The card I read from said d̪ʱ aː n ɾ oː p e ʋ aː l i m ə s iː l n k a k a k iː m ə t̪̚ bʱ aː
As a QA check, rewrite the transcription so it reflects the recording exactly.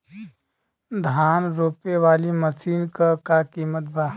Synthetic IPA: d̪ʱ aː n ɾ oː p e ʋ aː l i m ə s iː n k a k a k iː m ə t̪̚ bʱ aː